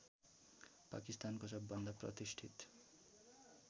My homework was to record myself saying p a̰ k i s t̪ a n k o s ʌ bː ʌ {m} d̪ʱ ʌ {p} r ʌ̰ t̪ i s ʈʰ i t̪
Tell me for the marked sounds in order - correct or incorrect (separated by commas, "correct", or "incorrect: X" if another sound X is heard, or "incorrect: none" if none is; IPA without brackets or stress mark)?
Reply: incorrect: n, correct